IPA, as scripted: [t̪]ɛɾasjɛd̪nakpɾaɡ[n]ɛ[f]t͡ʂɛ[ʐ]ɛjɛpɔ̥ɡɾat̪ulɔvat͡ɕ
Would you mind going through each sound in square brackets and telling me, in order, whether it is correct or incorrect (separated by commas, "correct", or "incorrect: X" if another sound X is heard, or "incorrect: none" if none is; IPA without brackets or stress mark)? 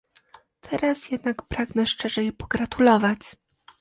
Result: incorrect: t̪ʰ, correct, incorrect: ʂ, correct